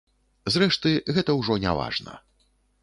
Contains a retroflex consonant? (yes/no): yes